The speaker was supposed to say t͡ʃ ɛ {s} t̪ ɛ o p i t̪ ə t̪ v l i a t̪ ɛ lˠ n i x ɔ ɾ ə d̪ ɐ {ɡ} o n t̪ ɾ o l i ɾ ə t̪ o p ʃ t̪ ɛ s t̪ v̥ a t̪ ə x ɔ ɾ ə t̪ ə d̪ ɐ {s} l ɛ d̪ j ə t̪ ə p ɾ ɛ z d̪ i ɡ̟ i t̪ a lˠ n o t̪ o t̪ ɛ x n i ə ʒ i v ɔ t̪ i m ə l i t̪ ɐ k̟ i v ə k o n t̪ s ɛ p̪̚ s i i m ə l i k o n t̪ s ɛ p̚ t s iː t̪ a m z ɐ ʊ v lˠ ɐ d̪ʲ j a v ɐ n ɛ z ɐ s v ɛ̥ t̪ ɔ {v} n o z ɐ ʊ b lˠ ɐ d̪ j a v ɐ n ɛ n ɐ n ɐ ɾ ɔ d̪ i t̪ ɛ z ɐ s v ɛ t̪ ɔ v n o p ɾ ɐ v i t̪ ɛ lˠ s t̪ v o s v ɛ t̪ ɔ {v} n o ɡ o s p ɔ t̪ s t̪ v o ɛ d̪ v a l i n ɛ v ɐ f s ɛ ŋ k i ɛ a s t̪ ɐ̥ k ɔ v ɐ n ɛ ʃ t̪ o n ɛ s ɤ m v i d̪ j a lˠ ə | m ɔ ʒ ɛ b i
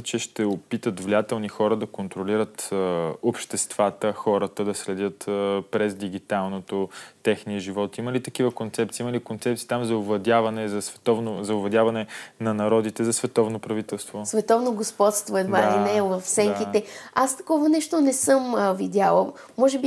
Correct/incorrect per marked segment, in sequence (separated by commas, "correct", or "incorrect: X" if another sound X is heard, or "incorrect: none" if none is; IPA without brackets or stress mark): incorrect: ʃ, incorrect: k, correct, correct, correct